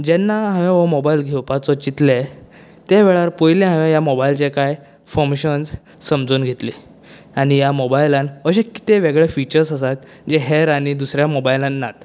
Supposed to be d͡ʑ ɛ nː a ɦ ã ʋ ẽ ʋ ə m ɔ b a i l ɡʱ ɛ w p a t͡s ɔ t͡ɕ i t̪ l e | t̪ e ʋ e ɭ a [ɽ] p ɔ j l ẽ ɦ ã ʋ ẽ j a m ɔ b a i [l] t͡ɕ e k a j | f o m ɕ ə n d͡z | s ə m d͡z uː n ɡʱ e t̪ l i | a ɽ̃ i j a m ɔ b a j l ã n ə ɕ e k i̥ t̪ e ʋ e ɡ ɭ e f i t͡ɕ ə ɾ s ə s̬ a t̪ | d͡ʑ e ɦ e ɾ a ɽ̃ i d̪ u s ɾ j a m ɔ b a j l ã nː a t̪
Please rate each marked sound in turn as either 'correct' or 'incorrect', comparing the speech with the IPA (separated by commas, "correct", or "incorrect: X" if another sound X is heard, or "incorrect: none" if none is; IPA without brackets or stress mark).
incorrect: ɾ, correct